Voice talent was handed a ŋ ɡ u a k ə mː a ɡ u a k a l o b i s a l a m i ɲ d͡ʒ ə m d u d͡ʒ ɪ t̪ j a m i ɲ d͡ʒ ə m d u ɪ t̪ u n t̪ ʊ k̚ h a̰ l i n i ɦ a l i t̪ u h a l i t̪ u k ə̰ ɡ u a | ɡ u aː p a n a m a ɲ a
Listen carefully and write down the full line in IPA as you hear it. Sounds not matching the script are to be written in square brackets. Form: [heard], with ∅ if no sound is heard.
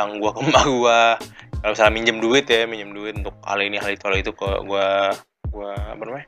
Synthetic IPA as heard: a ŋ ɡ u a k ə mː a ɡ u a k a l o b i s a l a m i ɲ d͡ʒ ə m d u [∅] ɪ t̪ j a m i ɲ d͡ʒ ə m d u ɪ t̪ u n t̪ ʊ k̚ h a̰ l i n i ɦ a l i t̪ u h a l i t̪ u k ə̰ ɡ u a | ɡ u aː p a n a m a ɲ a